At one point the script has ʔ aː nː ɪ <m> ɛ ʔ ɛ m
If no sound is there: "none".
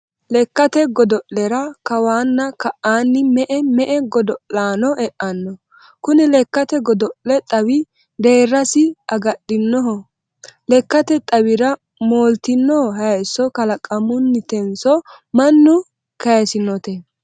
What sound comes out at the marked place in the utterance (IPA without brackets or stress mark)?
m